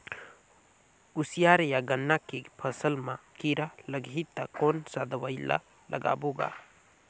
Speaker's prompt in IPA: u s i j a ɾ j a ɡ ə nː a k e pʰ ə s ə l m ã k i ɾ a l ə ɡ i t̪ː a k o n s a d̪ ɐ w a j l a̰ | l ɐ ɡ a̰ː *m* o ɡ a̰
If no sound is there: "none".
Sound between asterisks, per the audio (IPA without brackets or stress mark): b